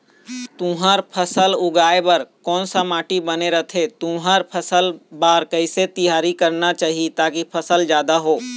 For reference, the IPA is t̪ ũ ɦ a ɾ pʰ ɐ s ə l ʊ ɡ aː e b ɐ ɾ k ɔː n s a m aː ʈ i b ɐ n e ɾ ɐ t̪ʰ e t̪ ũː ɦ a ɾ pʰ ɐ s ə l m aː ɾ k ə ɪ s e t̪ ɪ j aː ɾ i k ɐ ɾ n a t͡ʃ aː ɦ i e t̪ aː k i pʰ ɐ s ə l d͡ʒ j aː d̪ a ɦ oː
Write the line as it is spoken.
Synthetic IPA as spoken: t̪ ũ ɦ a ɾ pʰ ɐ s ə l ʊ ɡ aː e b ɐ ɾ k ɔː n s a m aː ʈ i b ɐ n e ɾ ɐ t̪ʰ e t̪ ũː ɦ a ɾ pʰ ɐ s ə l b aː ɾ k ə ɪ s e t̪ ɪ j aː ɾ i k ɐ ɾ n a t͡ʃ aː ɦ i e t̪ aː k i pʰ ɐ s ə l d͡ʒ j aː d̪ a ɦ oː